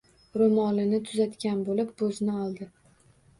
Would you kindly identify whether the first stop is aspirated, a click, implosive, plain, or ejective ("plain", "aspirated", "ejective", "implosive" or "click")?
aspirated